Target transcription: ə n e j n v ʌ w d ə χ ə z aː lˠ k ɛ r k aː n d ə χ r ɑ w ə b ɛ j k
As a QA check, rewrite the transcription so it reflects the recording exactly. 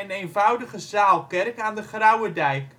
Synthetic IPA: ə n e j n v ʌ w d ə χ ə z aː lˠ k ɛ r k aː n d ə χ r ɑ w ə d ɛ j k